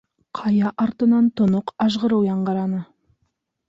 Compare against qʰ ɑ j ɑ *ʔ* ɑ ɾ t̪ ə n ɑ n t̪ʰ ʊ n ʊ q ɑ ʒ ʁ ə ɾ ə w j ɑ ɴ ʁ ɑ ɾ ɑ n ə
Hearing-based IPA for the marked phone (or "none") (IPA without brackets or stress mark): ʔ